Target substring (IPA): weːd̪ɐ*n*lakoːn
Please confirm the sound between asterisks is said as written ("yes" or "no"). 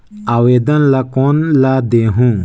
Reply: yes